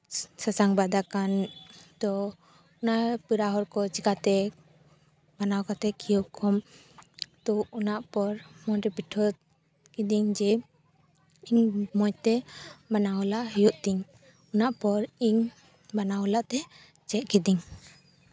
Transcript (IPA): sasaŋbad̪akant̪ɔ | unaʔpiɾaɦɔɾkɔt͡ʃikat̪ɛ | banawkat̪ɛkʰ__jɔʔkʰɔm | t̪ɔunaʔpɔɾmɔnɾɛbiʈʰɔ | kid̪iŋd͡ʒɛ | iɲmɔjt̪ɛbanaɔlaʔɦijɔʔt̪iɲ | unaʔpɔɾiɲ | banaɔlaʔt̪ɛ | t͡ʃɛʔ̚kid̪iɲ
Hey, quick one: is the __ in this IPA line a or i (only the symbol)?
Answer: i